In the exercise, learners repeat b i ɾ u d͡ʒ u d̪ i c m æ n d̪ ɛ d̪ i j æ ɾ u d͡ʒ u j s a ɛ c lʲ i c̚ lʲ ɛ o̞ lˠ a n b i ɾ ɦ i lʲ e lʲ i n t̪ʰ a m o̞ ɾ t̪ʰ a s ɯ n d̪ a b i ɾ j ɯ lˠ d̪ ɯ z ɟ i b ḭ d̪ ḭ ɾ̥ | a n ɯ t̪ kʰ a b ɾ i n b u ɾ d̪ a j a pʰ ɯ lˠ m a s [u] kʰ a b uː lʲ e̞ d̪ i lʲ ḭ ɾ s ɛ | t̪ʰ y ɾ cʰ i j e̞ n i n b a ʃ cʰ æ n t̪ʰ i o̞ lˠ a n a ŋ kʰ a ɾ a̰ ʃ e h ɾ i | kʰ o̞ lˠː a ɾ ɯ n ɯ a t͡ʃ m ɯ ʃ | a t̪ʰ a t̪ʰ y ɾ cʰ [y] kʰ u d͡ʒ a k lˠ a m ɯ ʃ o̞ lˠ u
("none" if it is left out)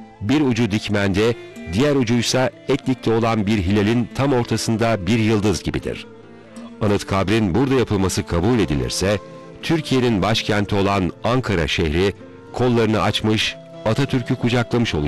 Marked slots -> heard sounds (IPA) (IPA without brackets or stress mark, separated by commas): ɯ, y